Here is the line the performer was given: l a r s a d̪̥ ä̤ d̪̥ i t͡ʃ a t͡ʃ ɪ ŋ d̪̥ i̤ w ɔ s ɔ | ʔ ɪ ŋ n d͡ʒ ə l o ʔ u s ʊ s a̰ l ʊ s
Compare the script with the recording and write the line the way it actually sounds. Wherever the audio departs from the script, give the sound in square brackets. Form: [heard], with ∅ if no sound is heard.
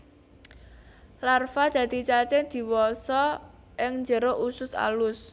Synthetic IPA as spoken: l a r [f] a d̪̥ ä̤ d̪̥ i t͡ʃ a t͡ʃ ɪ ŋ d̪̥ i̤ w ɔ s ɔ | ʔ ɪ ŋ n d͡ʒ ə [ɾ] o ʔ u s ʊ s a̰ l ʊ s